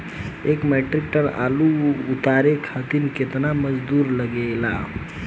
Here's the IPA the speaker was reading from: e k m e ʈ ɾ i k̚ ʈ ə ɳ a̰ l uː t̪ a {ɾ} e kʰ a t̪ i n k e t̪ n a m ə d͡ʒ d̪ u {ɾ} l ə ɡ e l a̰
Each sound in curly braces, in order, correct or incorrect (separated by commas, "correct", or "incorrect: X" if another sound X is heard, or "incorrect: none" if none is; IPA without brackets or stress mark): correct, correct